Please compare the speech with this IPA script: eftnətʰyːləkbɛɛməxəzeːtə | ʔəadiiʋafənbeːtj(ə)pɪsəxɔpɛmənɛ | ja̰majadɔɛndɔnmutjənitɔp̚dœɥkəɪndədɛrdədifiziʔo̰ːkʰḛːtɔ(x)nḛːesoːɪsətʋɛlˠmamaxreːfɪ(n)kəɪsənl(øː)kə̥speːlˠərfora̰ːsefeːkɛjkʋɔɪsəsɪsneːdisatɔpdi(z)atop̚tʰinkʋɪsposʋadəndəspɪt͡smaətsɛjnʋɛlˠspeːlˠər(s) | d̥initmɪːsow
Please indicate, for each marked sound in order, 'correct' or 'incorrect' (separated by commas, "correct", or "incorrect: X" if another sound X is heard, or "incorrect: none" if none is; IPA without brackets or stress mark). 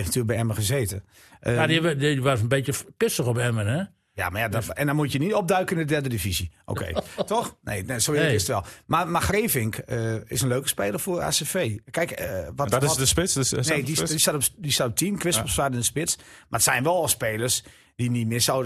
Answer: correct, correct, incorrect: ŋ, correct, incorrect: s, correct